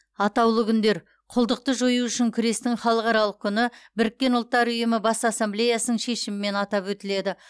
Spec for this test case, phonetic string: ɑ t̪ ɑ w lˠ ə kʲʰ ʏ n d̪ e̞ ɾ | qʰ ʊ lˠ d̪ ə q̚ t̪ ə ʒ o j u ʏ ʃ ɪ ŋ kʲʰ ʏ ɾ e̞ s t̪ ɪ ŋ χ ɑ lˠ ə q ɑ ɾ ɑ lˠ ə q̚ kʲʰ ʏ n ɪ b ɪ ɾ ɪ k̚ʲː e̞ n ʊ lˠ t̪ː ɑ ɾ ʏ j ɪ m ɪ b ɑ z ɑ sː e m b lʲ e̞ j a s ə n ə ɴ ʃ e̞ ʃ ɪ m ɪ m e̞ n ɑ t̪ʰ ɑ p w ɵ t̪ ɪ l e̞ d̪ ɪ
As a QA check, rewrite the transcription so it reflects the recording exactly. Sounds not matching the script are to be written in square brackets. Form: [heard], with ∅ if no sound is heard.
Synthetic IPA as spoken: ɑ t̪ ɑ w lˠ ə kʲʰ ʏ n d̪ e̞ ɾ | qʰ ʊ lˠ d̪ ə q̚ t̪ ə ʒ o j u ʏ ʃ ɪ ŋ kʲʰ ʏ ɾ e̞ s t̪ ɪ ŋ χ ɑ lˠ ə q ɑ ɾ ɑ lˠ ə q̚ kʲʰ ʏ n ɪ b ɪ ɾ ɪ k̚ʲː e̞ n ʊ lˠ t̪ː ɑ ɾ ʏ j ɪ m ɪ b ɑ [s] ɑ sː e m b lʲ e̞ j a s ə n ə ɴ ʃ e̞ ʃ ɪ m ɪ m e̞ n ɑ [t̪] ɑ p w ɵ t̪ ɪ l e̞ d̪ ɪ

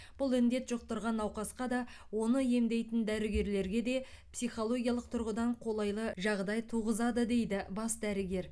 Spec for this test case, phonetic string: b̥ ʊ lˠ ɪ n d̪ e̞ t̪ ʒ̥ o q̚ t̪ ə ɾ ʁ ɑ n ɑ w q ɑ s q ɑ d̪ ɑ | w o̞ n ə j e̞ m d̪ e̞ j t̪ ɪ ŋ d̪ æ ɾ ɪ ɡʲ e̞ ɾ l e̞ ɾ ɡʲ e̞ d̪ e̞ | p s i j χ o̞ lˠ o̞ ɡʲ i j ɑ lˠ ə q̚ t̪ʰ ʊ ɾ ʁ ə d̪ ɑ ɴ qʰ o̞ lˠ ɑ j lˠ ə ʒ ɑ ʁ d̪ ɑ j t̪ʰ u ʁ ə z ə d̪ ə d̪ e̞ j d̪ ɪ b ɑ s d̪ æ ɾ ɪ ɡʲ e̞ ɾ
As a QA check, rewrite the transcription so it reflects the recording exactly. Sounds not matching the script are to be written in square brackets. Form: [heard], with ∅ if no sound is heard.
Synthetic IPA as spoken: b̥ ʊ lˠ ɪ n d̪ e̞ t̪ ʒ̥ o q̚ t̪ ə ɾ ʁ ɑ n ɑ w q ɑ s q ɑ d̪ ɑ | w o̞ n ə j e̞ m d̪ e̞ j t̪ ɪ [n] d̪ æ ɾ ɪ ɡʲ e̞ ɾ l e̞ ɾ ɡʲ e̞ d̪ e̞ | p s i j χ o̞ lˠ o̞ ɡʲ i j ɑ lˠ ə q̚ t̪ʰ ʊ ɾ ʁ ə d̪ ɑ ɴ qʰ o̞ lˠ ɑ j lˠ ə ʒ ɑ ʁ d̪ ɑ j t̪ʰ u ʁ ə z [ɑ] d̪ ə d̪ e̞ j d̪ ɪ b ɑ s d̪ æ ɾ ɪ ɡʲ e̞ ɾ

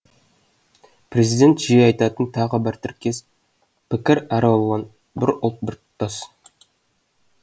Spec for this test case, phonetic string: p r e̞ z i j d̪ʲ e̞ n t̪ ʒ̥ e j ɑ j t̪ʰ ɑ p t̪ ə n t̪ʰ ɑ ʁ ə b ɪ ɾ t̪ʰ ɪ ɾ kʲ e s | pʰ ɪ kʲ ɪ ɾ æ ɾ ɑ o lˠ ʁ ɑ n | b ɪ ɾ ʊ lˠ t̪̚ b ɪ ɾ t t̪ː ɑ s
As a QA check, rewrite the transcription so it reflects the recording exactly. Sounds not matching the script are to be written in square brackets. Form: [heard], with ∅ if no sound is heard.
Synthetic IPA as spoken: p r e̞ z i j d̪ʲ e̞ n t̪ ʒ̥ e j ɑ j [t̪] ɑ [∅] t̪ ə n t̪ʰ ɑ ʁ ə b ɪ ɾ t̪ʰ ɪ ɾ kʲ e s | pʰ ɪ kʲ ɪ ɾ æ ɾ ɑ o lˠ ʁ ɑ n | b ɪ ɾ ʊ lˠ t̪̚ b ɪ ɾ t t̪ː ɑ s

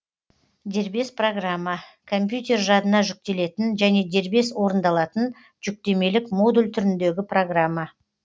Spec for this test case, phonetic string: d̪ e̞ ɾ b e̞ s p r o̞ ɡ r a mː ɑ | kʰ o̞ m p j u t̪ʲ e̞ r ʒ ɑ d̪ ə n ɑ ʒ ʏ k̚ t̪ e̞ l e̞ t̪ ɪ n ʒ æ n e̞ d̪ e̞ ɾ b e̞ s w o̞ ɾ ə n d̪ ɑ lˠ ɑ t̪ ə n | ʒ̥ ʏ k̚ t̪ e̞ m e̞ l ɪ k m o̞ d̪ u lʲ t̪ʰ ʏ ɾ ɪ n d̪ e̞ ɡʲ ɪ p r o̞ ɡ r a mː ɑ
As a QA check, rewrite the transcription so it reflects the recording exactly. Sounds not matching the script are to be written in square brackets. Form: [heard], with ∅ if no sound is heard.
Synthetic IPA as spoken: d̪ e̞ ɾ b e̞ s p r o̞ ɡ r a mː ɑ | kʰ o̞ m p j u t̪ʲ e̞ r ʒ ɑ d̪ ə n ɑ ʒ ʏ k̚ t̪ e̞ l e̞ t̪ ɪ n ʒ æ n e̞ d̪ e̞ ɾ b e̞ s w o̞ ɾ ə n d̪ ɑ lˠ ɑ t̪ ə n | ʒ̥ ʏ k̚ t̪ e̞ m e̞ l ɪ k m o̞ d̪ u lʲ t̪ʰ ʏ ɾ ɪ n d̪ e̞ ɡʲ ɪ p r o̞ ɡ r a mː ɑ

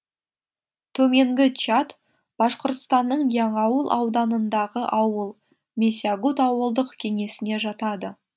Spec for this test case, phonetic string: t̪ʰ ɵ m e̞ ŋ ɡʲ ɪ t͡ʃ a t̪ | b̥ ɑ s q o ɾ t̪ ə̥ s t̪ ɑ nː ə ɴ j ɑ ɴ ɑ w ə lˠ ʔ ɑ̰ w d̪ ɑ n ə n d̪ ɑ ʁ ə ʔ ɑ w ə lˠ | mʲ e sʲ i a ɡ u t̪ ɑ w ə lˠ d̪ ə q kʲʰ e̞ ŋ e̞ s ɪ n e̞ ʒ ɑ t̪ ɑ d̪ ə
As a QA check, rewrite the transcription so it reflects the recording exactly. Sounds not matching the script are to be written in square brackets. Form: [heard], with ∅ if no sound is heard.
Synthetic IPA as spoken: t̪ʰ ɵ m e̞ ŋ ɡʲ ɪ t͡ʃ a t̪ | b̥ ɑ s q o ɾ t̪ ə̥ s t̪ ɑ nː ə ɴ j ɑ ɴ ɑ w ə lˠ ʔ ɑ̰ w d̪ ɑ n ə n d̪ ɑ ʁ ə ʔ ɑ w ə lˠ | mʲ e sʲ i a ɡ u t̪ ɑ w ə lˠ d̪ ə q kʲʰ e̞ ŋ e̞ s ɪ n e̞ ʒ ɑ t̪ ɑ d̪ ə

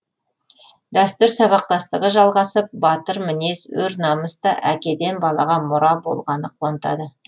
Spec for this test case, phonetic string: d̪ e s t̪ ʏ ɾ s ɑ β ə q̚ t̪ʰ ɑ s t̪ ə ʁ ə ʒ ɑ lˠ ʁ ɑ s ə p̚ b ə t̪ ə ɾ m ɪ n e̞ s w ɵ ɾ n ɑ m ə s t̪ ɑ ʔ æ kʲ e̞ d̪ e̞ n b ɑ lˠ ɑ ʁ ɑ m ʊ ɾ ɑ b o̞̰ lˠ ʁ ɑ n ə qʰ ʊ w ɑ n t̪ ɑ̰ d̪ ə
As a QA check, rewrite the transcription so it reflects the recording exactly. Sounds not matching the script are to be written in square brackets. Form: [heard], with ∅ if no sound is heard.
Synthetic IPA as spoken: d̪ [æ] s t̪ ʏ ɾ s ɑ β [ɑ] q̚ [t̪] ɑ s t̪ ə ʁ ə ʒ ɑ lˠ ʁ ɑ s ə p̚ b [ɑ] t̪ ə ɾ m ɪ n e̞ s w ɵ ɾ n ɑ m ə s t̪ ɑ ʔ æ kʲ e̞ d̪ e̞ n b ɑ lˠ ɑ ʁ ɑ m ʊ ɾ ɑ b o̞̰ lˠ ʁ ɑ n ə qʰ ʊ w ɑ n t̪ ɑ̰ d̪ ə

